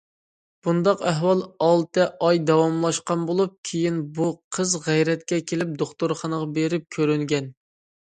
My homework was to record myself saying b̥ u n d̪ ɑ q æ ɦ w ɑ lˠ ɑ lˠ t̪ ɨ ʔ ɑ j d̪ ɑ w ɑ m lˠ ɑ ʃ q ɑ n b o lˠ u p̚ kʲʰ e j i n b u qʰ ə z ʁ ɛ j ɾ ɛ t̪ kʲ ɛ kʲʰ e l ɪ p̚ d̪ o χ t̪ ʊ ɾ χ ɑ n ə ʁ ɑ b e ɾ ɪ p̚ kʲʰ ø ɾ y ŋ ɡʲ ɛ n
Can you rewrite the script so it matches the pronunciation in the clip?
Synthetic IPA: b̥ u n d̪ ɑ q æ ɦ w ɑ lˠ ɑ lˠ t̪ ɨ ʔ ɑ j d̪ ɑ w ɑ m lˠ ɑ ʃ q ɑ n b o lˠ u p̚ kʲʰ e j i n b u qʰ ə z ʁ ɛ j ɾ ɛ t̪ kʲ ɛ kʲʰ e l ɪ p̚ d̪ o χ t̪ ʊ ɾ χ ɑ n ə ʁ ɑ b e ɾ ɪ p̚ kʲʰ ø ɾ y ŋ ɡʲ ɛ n